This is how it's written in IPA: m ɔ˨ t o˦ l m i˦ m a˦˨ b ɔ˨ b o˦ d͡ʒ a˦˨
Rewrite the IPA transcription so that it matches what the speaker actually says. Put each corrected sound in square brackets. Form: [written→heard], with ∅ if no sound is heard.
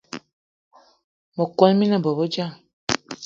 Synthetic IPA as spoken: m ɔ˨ [t→k] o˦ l m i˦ [m→n] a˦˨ b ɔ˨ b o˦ d͡ʒ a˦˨